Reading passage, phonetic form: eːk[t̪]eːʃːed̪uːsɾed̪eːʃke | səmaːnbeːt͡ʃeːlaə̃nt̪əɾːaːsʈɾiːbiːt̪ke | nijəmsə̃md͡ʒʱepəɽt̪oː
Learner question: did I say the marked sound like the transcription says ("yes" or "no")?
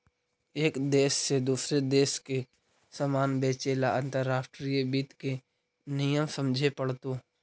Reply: no